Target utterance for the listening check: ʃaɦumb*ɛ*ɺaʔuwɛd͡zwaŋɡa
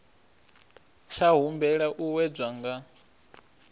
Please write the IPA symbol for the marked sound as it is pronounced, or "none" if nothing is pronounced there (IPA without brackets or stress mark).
ɛ